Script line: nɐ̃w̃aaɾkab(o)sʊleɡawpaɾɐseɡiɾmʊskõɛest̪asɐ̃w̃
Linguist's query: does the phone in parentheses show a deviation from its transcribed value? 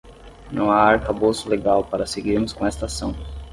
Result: no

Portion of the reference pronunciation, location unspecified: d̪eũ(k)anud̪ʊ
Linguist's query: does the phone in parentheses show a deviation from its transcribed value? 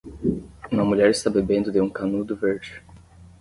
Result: no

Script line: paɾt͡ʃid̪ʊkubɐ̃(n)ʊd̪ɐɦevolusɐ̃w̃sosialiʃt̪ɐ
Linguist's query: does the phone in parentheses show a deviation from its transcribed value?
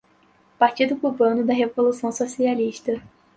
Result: no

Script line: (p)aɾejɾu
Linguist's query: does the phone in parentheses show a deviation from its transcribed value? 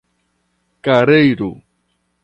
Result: yes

